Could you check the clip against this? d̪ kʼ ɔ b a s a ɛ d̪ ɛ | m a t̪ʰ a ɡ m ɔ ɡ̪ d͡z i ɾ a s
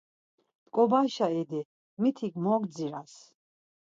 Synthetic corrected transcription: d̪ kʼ ɔ b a ʃ a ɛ d̪ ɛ | m i t̪ʰ i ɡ m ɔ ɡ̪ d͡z i ɾ a s